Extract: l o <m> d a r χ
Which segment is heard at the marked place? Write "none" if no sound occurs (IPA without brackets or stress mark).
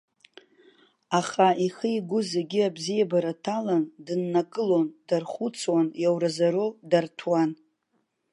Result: n